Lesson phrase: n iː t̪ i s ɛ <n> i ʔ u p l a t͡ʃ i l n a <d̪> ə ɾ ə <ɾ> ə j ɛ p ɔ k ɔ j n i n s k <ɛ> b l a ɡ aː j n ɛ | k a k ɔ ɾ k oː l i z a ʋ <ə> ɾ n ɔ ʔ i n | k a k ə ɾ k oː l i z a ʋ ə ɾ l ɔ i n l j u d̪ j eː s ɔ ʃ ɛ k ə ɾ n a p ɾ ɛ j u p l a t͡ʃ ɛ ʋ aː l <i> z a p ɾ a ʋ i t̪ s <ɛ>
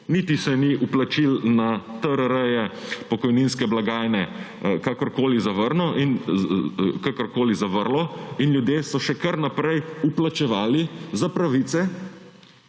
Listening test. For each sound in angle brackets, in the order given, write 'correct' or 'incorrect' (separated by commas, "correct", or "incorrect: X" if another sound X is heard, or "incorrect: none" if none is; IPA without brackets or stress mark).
correct, incorrect: t̪, correct, correct, correct, correct, correct